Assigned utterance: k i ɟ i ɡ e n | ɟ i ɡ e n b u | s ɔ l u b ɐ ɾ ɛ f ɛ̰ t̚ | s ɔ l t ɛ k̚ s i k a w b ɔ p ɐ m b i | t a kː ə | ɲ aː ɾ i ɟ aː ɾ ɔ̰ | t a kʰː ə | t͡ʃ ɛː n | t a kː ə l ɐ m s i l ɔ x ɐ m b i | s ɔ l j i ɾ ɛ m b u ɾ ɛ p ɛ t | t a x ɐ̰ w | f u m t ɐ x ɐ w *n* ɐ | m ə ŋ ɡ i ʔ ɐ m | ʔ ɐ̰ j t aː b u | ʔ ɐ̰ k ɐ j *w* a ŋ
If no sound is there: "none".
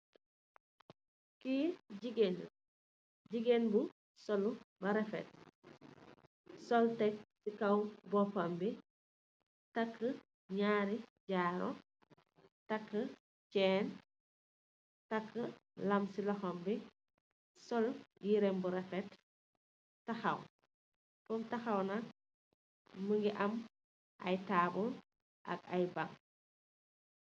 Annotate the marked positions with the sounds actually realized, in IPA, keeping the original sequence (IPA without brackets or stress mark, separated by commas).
n, b